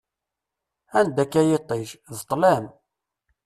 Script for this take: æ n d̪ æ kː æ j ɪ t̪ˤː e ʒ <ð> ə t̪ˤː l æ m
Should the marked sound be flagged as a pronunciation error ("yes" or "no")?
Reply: no